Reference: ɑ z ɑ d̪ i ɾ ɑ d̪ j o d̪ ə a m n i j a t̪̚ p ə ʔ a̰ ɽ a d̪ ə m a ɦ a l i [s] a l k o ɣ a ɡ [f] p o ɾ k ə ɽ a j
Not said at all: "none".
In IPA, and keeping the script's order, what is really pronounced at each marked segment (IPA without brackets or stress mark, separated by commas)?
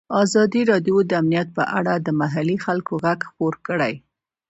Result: x, x